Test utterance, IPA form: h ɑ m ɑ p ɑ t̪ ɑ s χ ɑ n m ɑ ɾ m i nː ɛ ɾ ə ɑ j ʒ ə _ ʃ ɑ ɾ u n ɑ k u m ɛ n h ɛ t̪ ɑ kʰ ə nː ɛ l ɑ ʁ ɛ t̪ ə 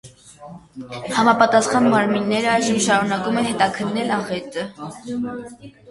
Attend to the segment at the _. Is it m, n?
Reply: m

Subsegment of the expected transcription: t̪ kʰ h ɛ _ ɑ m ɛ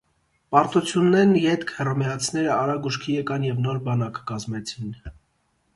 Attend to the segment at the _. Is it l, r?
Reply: r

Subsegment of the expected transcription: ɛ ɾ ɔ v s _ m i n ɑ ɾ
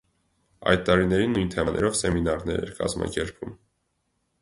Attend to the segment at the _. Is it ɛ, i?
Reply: ɛ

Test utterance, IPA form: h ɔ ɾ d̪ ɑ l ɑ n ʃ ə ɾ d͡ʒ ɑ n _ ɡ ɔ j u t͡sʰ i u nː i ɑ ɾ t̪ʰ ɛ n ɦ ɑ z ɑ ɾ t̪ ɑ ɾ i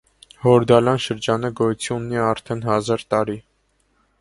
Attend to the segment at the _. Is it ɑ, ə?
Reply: ə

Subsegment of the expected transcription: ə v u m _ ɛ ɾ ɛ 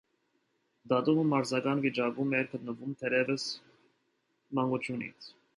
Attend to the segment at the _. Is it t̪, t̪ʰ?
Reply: t̪ʰ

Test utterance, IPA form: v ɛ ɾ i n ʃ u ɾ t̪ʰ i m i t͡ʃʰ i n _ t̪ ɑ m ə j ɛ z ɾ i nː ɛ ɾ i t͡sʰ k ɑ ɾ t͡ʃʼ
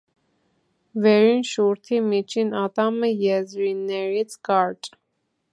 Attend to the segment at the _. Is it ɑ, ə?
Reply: ɑ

